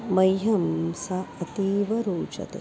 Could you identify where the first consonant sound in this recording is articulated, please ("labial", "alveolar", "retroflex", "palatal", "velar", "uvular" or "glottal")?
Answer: labial